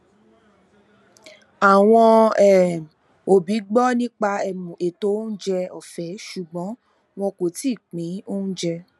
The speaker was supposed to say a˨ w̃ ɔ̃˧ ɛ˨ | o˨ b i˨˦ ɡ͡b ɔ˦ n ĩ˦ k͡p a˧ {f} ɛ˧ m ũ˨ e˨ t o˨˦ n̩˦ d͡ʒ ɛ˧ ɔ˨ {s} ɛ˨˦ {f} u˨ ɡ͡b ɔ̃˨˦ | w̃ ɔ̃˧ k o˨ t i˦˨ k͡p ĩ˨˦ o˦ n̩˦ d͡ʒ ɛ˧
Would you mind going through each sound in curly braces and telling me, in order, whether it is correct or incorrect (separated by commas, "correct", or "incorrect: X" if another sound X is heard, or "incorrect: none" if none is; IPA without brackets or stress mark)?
incorrect: none, incorrect: f, incorrect: ʃ